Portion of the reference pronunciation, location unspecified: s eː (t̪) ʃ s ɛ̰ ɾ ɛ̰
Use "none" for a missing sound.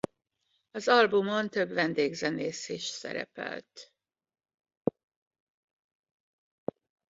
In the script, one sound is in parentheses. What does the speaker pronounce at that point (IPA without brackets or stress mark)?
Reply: none